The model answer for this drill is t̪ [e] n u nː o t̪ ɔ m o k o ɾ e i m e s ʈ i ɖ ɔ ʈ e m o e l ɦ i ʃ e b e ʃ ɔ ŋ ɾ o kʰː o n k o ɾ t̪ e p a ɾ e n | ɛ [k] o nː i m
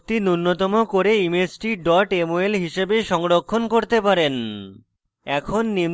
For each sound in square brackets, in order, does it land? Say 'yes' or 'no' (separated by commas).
no, no